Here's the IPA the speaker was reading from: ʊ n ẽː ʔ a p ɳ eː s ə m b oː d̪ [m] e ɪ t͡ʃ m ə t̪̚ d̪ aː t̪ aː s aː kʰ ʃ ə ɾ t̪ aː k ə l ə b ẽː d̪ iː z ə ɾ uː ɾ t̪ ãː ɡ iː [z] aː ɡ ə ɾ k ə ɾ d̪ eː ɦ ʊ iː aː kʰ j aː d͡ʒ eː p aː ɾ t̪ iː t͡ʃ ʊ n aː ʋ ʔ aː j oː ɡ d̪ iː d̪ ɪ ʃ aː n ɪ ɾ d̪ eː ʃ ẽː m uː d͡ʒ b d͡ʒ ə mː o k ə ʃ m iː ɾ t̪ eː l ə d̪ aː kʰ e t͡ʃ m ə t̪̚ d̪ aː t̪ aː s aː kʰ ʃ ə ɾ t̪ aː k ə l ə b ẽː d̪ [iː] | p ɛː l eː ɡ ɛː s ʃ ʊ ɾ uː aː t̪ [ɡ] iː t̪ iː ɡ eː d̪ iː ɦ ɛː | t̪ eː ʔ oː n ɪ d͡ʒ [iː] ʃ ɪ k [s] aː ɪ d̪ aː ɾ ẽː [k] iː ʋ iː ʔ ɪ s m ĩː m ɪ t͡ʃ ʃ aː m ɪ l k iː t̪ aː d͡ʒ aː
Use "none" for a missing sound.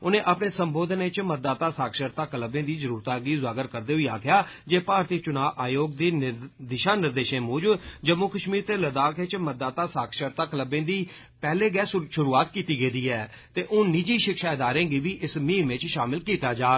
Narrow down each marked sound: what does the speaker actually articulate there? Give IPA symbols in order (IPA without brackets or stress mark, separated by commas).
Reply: n, z, iː, k, iː, ʃ, ɡ